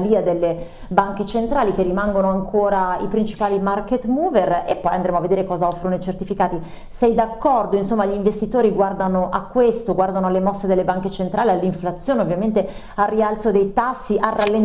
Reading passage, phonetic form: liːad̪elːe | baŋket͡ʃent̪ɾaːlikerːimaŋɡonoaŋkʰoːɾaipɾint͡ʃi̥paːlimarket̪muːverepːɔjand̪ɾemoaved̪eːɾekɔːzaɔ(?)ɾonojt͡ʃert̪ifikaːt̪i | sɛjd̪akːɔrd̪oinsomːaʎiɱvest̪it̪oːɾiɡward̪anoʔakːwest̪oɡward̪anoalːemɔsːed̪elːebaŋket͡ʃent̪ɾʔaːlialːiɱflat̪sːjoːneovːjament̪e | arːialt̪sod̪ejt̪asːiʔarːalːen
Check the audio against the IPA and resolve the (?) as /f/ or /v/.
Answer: f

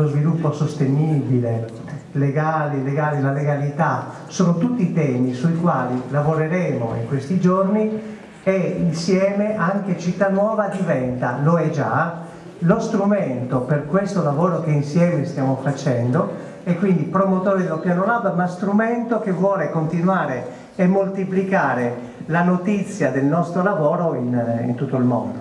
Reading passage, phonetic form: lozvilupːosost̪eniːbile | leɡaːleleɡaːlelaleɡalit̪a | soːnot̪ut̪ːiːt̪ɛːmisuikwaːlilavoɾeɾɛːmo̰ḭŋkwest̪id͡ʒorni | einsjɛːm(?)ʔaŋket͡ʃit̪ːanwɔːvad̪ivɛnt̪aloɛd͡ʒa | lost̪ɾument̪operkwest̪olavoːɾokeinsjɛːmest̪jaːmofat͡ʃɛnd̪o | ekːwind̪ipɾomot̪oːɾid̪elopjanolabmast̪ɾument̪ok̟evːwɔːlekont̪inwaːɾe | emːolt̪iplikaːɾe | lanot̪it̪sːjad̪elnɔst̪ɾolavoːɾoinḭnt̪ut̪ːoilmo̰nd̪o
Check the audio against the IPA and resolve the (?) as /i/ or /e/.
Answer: e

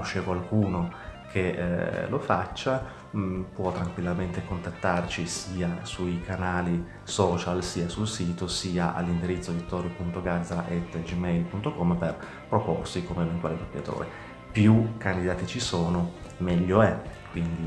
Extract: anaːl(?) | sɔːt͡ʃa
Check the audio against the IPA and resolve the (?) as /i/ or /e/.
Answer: i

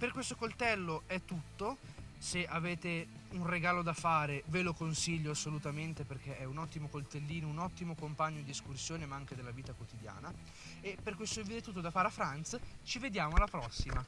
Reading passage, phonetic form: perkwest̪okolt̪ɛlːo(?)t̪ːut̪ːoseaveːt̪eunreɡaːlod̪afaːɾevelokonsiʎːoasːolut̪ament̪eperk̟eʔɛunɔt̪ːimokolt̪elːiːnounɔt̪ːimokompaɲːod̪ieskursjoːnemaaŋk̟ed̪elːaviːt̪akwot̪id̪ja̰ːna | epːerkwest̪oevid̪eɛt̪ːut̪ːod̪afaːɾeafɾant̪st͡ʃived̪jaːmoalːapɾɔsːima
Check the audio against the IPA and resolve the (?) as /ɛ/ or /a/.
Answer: ɛ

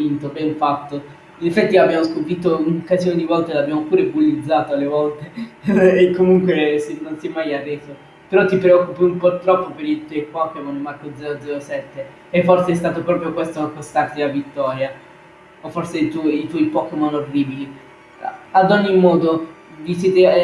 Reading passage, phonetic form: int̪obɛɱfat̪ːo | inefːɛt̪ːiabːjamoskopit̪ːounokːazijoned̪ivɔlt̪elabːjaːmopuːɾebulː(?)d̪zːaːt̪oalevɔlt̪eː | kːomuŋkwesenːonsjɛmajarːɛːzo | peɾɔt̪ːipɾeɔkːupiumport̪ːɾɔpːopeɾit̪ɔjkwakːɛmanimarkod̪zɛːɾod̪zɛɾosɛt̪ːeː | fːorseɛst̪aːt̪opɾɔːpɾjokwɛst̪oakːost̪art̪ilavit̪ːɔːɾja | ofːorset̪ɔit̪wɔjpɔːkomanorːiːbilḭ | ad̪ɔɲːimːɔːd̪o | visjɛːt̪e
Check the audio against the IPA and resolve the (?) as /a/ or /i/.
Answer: i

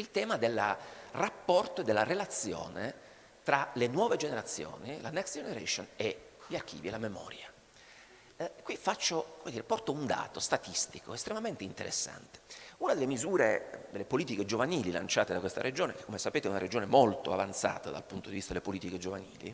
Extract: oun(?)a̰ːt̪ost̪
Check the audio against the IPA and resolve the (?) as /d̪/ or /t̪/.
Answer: d̪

